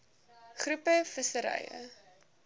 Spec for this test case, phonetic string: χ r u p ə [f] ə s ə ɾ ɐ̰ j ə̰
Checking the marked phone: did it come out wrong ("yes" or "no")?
no